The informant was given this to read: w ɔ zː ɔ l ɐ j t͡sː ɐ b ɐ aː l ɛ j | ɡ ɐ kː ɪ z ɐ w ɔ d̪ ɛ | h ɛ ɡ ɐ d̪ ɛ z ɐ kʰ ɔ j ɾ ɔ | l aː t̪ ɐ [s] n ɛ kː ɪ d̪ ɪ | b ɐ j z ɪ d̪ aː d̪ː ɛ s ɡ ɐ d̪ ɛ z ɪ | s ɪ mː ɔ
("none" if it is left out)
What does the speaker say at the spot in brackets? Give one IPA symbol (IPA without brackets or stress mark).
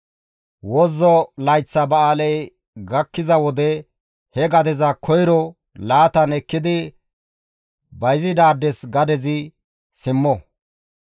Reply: none